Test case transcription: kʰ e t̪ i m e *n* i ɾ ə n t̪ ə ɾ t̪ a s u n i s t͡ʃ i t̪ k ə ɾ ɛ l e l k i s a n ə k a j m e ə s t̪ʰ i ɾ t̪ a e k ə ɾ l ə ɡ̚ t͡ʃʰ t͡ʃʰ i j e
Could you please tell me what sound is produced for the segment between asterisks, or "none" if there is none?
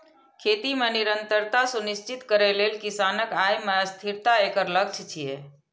n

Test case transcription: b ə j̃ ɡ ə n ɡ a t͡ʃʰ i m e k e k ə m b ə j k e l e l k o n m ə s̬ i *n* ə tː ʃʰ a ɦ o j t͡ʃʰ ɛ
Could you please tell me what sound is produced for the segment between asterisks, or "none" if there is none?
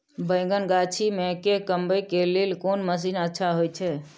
n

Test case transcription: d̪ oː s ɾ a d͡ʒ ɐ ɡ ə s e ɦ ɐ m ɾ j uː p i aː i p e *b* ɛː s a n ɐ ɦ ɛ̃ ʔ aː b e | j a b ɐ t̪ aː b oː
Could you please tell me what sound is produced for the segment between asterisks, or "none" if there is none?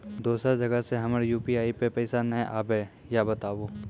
p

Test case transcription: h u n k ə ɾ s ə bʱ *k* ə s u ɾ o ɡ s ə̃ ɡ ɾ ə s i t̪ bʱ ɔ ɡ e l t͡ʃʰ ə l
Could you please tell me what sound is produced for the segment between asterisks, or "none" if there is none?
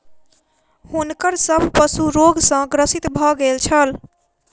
p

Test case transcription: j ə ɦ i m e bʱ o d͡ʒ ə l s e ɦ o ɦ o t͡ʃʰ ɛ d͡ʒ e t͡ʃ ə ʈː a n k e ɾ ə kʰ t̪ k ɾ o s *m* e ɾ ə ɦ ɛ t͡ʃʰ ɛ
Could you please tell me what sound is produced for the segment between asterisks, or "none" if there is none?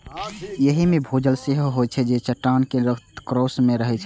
m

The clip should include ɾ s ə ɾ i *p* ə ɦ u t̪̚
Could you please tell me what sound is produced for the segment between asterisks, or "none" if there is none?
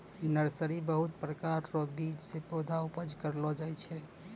b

